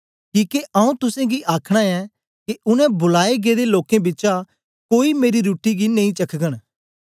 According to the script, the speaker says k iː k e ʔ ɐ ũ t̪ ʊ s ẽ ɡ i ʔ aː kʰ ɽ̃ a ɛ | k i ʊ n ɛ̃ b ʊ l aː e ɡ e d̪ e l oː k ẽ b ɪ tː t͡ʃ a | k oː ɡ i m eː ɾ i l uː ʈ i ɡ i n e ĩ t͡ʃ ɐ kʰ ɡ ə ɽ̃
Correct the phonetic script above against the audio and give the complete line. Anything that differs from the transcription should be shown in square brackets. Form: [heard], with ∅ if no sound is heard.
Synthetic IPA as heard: k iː k e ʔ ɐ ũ t̪ ʊ s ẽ ɡ i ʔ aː kʰ ɽ̃ a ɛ | k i ʊ n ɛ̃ b ʊ l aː e ɡ e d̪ e l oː k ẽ b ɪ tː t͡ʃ a | k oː [∅] i m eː ɾ i [ɾ] uː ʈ i ɡ i n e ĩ t͡ʃ ɐ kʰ ɡ ə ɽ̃